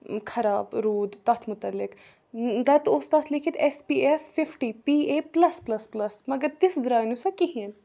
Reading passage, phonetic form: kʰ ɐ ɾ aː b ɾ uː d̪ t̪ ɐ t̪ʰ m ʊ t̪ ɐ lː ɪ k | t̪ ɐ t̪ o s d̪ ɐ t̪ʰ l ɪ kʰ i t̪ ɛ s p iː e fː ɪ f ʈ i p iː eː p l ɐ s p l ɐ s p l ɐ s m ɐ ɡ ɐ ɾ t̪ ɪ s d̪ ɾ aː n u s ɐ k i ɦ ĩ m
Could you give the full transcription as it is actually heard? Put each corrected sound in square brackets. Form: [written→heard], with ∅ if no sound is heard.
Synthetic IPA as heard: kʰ ɐ ɾ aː b ɾ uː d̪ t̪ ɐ t̪ʰ m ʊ t̪ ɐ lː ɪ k | [t̪→d̪] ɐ t̪ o s [d̪→t̪] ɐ t̪ʰ l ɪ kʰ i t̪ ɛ s p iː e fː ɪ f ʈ i p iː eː p l ɐ s p l ɐ s p l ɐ s m ɐ ɡ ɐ ɾ t̪ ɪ s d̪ ɾ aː n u s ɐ k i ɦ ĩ [m→n]